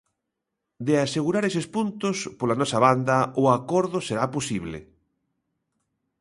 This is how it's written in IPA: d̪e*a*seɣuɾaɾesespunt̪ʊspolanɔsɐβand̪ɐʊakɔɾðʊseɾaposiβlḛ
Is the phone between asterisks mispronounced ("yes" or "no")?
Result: no